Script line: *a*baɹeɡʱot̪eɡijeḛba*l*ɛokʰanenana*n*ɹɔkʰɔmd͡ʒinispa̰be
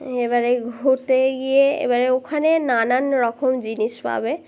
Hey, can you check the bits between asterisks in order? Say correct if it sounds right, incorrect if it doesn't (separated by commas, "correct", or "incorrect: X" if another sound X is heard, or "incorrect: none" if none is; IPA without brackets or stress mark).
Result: incorrect: e, incorrect: ɹ, correct